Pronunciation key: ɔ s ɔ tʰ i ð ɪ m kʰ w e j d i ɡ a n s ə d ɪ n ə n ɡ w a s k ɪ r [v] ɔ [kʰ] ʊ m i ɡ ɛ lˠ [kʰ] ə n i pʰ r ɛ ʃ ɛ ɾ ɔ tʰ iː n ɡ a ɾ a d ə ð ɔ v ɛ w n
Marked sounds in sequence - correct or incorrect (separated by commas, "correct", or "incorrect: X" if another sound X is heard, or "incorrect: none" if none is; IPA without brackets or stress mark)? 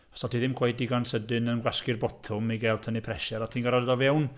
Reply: incorrect: b, incorrect: tʰ, incorrect: tʰ